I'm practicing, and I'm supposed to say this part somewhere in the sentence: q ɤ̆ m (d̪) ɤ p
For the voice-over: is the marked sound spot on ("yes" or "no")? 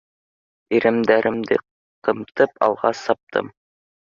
no